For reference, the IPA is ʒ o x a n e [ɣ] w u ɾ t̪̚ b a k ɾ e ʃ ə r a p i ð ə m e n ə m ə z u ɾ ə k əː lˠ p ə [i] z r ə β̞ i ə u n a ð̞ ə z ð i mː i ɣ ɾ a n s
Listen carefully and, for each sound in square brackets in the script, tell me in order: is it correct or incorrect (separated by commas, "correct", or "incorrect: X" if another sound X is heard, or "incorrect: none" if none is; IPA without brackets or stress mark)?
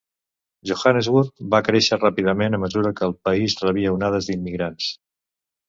incorrect: z, correct